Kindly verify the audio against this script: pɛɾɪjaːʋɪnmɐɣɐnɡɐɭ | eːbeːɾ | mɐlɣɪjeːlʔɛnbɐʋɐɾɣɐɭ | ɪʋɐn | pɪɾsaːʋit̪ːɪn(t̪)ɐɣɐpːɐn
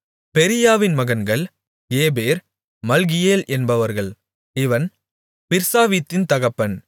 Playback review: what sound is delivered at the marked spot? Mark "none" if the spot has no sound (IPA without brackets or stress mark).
t̪